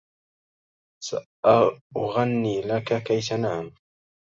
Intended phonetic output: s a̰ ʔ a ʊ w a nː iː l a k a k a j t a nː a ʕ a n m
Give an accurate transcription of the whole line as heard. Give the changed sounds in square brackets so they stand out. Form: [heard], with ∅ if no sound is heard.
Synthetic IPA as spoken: s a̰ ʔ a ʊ [ɣ] a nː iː l a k a k a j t a [n] a ʕ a [∅] m